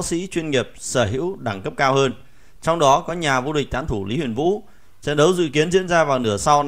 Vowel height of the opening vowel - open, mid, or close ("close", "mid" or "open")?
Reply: close